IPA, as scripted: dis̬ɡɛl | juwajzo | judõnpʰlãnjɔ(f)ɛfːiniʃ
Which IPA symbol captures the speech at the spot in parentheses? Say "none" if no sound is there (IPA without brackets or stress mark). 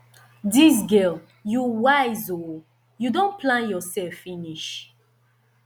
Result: s